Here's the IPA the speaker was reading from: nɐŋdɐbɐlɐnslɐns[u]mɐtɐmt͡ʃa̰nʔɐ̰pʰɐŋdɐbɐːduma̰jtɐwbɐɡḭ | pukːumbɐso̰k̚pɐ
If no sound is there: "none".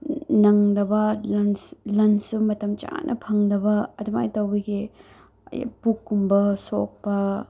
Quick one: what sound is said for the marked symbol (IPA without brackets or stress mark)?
u